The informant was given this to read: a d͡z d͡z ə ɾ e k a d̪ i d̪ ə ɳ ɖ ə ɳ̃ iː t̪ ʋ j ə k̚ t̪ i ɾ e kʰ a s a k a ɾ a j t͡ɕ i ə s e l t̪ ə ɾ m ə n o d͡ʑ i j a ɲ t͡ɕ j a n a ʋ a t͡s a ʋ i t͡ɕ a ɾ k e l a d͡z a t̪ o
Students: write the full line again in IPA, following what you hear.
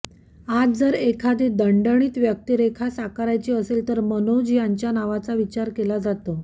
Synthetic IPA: a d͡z d͡z ə ɾ e kʰ a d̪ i d̪ ə ɳ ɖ ə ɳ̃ iː t̪ ʋ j ə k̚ t̪ i ɾ e kʰ a s a k a ɾ a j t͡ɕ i ə s e l t̪ ə ɾ m ə n o d͡ʑ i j a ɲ t͡ɕ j a n a ʋ a t͡s a ʋ i t͡ɕ a ɾ k e l a d͡z a t̪ o